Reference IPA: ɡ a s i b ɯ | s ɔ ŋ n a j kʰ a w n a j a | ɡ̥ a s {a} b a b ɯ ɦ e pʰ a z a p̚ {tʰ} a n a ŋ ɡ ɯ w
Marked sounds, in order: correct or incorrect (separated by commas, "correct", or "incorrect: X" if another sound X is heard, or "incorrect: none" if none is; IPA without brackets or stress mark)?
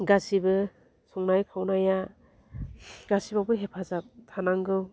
incorrect: i, correct